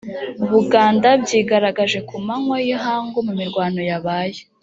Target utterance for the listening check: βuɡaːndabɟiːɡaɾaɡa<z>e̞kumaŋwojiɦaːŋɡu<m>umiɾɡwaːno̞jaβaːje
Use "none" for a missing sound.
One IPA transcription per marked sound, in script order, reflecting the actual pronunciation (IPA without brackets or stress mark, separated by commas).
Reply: ʒ, m